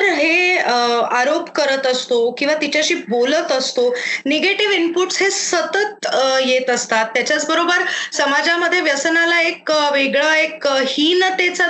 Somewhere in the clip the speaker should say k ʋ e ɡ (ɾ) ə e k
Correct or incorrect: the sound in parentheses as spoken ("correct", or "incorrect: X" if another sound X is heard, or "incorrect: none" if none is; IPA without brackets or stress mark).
incorrect: ɭ